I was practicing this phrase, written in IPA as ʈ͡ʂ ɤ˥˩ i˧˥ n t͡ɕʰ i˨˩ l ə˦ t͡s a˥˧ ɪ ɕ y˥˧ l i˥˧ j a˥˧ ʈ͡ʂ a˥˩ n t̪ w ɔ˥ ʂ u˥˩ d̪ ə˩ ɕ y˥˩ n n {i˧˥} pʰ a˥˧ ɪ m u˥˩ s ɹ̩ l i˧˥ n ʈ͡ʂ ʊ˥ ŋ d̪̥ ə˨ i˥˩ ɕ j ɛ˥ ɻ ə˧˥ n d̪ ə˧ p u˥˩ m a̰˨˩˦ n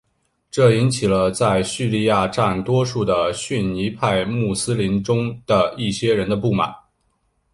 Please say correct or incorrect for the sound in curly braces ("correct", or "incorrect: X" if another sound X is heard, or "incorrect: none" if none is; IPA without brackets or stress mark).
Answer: correct